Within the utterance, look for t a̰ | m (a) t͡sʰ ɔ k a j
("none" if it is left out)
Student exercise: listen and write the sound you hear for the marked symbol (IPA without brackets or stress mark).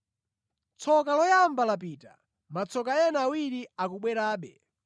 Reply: a